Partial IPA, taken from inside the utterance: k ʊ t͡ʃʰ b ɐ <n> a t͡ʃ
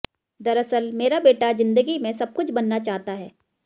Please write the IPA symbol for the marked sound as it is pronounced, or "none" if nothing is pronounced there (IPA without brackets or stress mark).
nː